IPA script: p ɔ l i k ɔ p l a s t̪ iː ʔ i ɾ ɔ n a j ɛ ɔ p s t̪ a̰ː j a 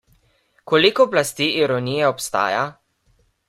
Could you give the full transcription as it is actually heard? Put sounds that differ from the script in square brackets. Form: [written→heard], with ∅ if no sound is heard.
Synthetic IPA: [p→k] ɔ l i k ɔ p l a s t̪ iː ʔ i ɾ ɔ n [a→i] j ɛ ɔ p s t̪ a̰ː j a